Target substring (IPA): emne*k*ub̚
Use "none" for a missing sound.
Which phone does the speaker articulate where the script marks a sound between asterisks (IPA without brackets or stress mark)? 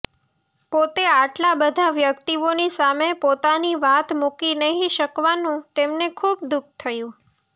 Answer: kʰ